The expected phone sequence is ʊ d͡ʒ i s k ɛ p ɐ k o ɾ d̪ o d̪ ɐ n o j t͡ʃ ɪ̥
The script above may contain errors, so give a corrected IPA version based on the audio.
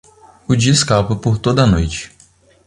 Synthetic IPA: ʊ d͡ʒ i s k a p ɐ p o ɾ t̪ o d̪ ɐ n o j t͡ʃ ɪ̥